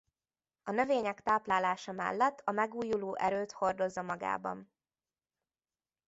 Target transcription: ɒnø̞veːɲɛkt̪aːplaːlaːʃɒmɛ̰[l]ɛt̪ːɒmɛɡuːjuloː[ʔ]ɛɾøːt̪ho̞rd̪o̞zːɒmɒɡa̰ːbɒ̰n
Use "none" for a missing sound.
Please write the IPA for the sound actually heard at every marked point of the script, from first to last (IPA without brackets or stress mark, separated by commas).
lː, ʔ